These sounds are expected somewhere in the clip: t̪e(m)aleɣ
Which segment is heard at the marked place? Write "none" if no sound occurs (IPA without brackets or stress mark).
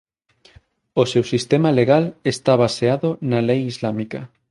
m